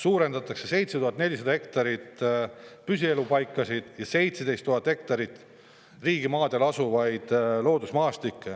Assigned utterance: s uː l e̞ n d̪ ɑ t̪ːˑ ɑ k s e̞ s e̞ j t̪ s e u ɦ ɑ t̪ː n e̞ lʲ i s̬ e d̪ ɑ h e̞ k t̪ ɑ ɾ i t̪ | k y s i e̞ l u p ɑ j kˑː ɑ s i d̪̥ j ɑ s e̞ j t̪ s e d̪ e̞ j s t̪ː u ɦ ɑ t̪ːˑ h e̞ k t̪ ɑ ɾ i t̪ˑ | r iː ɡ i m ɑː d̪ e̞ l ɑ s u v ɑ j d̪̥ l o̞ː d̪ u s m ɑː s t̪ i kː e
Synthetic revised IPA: s uː ɾ e̞ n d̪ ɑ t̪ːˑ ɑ k s e̞ s e̞ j t̪ s e u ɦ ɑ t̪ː n e̞ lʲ i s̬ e d̪ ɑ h e̞ k t̪ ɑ ɾ i t̪ | p y s i e̞ l u p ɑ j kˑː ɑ s i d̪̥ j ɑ s e̞ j t̪ s e d̪ e̞ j s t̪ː u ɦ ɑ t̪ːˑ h e̞ k t̪ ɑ ɾ i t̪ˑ | r iː ɡ i m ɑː d̪ e̞ l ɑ s u v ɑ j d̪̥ l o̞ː d̪ u s m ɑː s t̪ i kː e

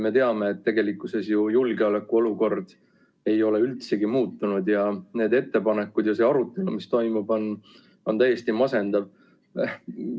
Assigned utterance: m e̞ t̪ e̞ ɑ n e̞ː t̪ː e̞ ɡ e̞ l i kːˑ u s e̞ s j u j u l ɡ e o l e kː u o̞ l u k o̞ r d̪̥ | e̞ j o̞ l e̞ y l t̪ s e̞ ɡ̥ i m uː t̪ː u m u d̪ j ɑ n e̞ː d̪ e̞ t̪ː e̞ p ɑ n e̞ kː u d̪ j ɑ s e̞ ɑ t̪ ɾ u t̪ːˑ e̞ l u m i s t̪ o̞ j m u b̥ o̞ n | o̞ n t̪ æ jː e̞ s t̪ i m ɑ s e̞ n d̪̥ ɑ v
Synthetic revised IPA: m e̞ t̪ e̞ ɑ m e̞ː t̪ː e̞ ɡ e̞ l i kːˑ u s e̞ s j u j u l ɡ e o l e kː u o̞ l u k o̞ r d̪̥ | e̞ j o̞ l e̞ y l t̪ s e̞ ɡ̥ i m uː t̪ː u n u d̪ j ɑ n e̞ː d̪ e̞ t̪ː e̞ p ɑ n e̞ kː u d̪ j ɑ s e̞ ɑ ɾ u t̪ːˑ e̞ l u m i s t̪ o̞ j m u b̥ o̞ n | o̞ n t̪ æ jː e̞ s t̪ i m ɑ s e̞ n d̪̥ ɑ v

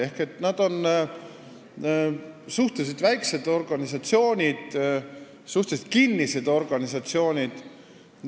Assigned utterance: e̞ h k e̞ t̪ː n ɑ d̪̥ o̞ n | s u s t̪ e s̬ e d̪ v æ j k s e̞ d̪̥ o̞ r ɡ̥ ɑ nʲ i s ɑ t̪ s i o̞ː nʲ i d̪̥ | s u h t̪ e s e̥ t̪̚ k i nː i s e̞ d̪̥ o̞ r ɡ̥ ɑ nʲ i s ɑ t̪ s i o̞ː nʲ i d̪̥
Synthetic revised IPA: e̞ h k e̞ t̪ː n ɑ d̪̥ o̞ n | s u h t̪ e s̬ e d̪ v æ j k s e̞ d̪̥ o̞ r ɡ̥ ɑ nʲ i s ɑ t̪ s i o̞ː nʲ i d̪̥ | s u h t̪ e s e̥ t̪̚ k i nː i s e̞ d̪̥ o̞ r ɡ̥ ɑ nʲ i s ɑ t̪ s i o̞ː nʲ i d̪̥

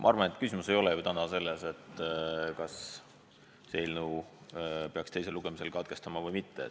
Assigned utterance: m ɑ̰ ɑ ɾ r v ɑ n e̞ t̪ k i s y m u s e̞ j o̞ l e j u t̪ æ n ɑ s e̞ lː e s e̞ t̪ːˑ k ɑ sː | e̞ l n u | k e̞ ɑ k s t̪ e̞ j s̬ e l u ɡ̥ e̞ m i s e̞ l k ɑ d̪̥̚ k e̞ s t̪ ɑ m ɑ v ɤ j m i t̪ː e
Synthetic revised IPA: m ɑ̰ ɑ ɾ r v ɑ n e̞ t̪ k y s i m u s e̞ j o̞ l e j u t̪ æ n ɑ s e̞ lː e s e̞ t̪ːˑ k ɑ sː | e̞ l n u | p e̞ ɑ k s t̪ e̞ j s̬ e l u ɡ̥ e̞ m i s e̞ l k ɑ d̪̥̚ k e̞ s t̪ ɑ m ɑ v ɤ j m i t̪ː e

